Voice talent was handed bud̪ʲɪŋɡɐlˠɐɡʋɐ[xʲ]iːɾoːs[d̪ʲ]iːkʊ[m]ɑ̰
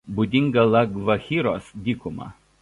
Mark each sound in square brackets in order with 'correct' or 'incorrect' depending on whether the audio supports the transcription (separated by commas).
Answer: correct, correct, correct